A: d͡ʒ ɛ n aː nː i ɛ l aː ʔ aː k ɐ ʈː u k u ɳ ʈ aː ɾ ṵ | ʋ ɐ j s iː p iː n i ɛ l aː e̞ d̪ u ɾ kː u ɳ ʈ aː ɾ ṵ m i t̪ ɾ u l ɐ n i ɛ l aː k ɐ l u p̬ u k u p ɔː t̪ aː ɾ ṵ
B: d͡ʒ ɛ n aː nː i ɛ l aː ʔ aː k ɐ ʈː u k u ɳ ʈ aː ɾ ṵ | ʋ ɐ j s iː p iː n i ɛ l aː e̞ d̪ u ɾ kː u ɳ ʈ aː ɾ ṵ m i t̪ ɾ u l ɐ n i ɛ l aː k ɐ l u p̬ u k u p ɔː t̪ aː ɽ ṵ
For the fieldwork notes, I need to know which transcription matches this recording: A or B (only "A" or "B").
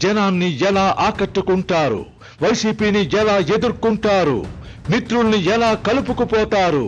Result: A